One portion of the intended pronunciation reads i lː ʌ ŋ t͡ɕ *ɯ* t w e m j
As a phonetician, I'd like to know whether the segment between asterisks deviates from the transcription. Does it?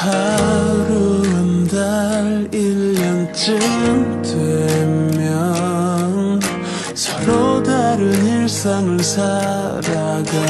no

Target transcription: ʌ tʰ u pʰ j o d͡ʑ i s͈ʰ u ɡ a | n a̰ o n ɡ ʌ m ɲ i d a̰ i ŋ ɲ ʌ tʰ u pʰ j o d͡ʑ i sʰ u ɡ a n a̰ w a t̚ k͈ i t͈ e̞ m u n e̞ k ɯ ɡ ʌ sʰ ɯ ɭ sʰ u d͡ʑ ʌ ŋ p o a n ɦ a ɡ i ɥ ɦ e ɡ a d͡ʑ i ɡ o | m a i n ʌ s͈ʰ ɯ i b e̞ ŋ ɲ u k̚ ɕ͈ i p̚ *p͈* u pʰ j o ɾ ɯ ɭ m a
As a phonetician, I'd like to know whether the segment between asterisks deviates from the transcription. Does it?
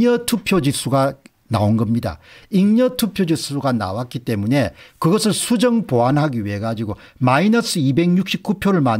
yes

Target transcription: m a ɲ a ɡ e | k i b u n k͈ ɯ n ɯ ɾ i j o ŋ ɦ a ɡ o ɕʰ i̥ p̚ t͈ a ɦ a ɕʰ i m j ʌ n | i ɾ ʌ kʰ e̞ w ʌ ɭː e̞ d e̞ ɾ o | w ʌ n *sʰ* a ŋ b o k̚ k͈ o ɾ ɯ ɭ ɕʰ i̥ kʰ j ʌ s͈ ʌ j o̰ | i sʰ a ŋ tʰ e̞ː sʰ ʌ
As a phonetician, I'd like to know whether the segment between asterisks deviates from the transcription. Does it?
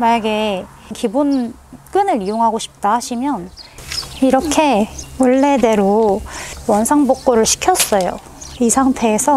no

